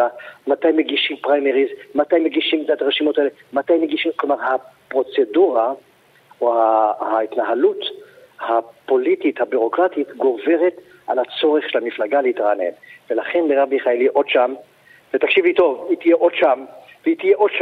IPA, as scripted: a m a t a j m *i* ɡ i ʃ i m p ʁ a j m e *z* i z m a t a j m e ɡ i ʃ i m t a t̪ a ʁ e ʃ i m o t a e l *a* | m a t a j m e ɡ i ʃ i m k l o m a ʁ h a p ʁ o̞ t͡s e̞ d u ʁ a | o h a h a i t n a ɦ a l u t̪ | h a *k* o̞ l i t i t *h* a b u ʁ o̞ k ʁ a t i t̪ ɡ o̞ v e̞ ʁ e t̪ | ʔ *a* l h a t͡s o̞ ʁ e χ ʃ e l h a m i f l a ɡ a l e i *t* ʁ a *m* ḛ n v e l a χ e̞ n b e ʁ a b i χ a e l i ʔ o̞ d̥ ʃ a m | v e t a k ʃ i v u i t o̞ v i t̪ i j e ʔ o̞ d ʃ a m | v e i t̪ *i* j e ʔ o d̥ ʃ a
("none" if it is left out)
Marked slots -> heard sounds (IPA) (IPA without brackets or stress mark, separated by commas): e, ʁ, e, p, h, a, t, n, i